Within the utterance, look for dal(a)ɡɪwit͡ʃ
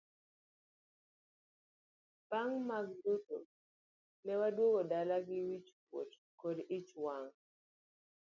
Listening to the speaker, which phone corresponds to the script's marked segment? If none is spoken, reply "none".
a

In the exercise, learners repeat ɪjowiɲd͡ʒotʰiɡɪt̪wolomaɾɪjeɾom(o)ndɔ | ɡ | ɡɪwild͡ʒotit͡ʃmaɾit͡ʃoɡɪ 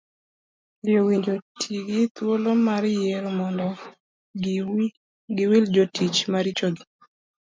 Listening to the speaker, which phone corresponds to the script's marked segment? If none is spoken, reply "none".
ɔ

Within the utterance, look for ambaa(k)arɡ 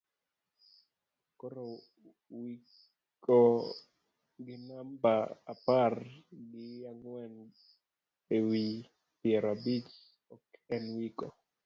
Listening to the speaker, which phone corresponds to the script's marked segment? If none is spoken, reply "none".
p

